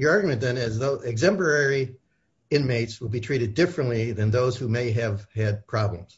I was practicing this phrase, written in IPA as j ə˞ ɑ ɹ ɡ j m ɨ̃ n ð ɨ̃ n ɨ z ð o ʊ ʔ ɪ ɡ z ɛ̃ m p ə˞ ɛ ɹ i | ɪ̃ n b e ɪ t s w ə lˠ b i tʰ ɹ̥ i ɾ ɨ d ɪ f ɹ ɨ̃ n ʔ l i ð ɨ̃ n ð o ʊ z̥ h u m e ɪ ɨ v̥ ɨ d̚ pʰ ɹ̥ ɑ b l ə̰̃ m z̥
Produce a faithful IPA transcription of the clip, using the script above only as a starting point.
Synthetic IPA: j ə˞ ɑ ɹ ɡ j m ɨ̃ n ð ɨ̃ n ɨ z ð o ʊ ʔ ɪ ɡ z ɛ̃ m p ə˞ ɛ ɹ i | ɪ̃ n m e ɪ t s w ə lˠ b i tʰ ɹ̥ i ɾ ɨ d ɪ f ɹ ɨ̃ n ʔ l i ð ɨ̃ n ð o ʊ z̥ h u m e ɪ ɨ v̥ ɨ d̚ pʰ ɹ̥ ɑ b l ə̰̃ m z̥